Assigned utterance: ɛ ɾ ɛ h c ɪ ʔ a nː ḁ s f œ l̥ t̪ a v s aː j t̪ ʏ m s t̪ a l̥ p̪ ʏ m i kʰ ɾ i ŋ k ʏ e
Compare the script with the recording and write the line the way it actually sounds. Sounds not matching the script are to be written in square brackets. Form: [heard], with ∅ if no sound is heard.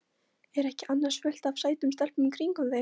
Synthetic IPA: ɛ ɾ ɛ h c ɪ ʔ a nː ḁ s f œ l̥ t̪ a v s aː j t̪ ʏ m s t̪ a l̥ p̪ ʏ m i kʰ ɾ i ŋ k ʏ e